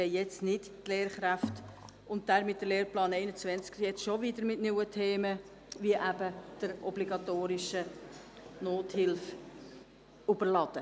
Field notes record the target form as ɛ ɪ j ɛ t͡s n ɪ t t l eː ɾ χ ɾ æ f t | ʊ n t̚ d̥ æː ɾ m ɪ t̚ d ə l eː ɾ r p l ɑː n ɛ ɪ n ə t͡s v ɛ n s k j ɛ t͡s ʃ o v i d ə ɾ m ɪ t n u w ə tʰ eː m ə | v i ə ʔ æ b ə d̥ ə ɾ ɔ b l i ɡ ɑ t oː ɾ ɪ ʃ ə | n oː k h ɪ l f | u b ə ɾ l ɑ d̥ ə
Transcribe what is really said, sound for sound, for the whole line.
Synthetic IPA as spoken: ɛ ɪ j ɛ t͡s n ɪ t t l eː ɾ χ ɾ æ f t | ʊ n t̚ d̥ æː ɾ m ɪ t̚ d ə l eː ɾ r p l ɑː n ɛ ɪ n ə t͡s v ɛ n t͡s k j ɛ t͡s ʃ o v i d ə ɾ m ɪ t n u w ə tʰ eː m ə | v i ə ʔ æ b ə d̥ ə ɾ ɔ b l i ɡ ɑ t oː ɾ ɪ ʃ ə | n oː t h ɪ l f | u b ə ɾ l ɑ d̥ ə